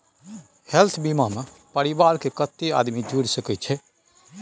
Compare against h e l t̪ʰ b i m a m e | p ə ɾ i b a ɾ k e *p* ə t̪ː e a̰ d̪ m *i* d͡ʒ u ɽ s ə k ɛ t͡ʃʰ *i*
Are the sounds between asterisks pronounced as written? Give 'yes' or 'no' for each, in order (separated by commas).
no, yes, no